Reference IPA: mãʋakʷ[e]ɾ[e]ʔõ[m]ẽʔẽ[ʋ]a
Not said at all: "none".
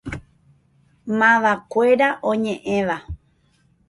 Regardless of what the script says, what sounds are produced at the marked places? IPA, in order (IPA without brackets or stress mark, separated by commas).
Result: e, a, ɲ, ʋ